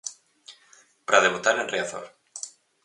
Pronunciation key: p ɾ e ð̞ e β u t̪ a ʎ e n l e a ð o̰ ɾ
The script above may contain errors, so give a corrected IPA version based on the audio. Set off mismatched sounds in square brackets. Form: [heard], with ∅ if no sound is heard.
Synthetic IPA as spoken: p ɾ [a] ð̞ e β u t̪ a [ɾ] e n [r] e a [θ] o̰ ɾ

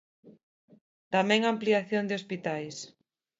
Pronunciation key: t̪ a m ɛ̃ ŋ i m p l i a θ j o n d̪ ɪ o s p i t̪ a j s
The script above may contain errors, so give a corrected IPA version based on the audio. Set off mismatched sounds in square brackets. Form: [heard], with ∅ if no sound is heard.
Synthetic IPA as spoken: t̪ a m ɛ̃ ŋ [a] m p l i a θ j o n d̪ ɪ o s p i t̪ a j s

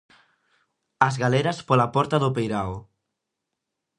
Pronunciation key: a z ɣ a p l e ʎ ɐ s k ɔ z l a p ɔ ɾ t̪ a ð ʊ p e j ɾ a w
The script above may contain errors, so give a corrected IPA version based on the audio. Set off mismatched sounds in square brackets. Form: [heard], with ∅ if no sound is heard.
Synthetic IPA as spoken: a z ɣ a [∅] l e [ɾ] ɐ s [p] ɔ [∅] l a p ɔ ɾ t̪ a ð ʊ p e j ɾ a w

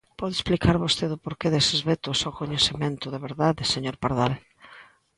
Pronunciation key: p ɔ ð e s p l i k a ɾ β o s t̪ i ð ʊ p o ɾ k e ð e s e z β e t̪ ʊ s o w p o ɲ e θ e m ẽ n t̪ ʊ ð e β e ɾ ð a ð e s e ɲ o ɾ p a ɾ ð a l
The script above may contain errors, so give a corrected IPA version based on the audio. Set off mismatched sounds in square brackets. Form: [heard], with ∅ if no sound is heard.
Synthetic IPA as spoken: p ɔ ð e s p l i k a ɾ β o s t̪ [e] ð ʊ p o ɾ k e ð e s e z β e t̪ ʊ s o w [k] o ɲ e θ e m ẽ n t̪ ʊ ð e β e ɾ ð a ð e s e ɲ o ɾ p a ɾ ð a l

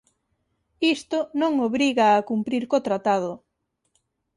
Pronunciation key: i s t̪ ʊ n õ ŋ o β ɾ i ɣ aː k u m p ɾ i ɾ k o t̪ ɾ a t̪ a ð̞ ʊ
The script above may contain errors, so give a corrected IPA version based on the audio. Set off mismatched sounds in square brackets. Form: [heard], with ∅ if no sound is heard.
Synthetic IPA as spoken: i s t̪ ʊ n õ ŋ o β ɾ i ɣ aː k u m p ɾ i ɾ k o t̪ ɾ a t̪ a ð̞ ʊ

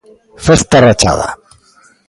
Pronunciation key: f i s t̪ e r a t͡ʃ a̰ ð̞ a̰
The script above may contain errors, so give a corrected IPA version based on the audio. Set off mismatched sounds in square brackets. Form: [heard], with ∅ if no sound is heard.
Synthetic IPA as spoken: f [e] s t̪ [a] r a t͡ʃ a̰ ð̞ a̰

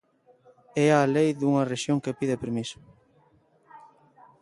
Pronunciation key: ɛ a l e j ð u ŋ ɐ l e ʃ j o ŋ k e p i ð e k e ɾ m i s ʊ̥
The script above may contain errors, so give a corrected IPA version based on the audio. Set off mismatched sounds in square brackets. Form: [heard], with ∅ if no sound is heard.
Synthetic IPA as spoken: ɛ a l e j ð u ŋ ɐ [r] e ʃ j o ŋ k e p i ð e [p] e ɾ m i s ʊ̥

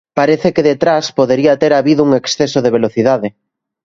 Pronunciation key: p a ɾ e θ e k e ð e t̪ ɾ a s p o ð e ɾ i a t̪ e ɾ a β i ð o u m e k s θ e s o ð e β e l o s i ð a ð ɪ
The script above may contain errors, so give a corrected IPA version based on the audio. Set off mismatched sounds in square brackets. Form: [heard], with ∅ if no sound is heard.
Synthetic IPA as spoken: p a ɾ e θ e k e ð e t̪ ɾ a s p o ð e ɾ i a t̪ e ɾ a β i ð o u [ŋ] e k s θ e s o ð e β e l o [θ] i ð a ð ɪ

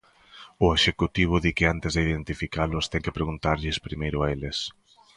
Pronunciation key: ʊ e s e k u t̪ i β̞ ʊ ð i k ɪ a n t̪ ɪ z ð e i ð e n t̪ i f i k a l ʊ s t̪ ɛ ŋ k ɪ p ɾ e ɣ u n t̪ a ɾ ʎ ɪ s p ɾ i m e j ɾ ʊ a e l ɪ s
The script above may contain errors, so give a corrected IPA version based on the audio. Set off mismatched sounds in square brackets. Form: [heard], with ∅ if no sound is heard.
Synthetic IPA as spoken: ʊ e [ʃ] e k u t̪ i β̞ ʊ ð i k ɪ a n t̪ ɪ z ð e i ð e n t̪ i f i k a l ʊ s t̪ ɛ ŋ k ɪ p ɾ e ɣ u n t̪ a ɾ ʎ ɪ s p ɾ i m e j ɾ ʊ a e l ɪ s

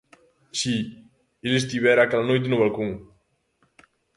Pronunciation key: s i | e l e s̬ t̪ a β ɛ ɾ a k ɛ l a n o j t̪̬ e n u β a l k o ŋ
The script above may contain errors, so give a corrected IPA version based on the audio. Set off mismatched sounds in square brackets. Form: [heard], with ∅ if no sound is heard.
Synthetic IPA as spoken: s i | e l e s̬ t̪ [i] β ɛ ɾ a k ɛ l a n o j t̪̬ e n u β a l k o ŋ

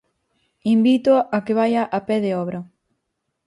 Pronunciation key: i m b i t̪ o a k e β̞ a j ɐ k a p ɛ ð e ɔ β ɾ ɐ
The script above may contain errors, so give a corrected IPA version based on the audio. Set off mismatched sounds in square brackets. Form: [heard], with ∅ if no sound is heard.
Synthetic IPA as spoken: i m b i t̪ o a k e β̞ a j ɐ [ʔ] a p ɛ ð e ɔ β ɾ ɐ

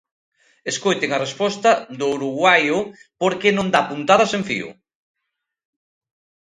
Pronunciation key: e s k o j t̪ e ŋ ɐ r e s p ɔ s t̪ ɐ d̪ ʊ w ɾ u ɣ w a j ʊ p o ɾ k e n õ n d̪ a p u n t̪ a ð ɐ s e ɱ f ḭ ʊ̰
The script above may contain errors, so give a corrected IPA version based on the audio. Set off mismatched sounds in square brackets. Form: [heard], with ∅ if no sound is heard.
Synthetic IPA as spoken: e s k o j t̪ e ŋ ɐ r e s p ɔ s t̪ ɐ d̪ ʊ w ɾ u ɣ w a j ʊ p o ɾ k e n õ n d̪ a p u n t̪ a ð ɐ s e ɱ f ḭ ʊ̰

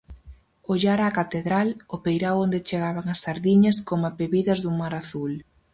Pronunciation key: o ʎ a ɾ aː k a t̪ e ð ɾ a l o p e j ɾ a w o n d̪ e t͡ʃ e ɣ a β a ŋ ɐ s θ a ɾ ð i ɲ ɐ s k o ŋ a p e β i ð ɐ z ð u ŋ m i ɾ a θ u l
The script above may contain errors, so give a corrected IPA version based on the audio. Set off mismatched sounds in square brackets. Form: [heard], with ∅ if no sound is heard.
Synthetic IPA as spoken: o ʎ a ɾ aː k a t̪ e ð ɾ a l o p e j ɾ a w o n d̪ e t͡ʃ e ɣ a β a ŋ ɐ s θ a ɾ ð i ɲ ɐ s k o [m] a p e β i ð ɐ z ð u ŋ m [a] ɾ a θ u l

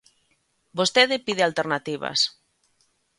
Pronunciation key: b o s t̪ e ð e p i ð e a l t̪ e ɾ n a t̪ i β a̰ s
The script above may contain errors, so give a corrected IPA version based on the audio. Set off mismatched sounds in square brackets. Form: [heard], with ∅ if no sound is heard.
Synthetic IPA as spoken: b o s t̪ e ð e p i ð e a l t̪ e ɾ n a t̪ i β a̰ s

